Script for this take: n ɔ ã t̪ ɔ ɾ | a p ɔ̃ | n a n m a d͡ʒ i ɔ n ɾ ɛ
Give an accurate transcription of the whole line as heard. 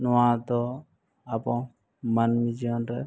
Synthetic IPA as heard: n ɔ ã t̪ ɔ | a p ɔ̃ | m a n m i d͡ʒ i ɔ n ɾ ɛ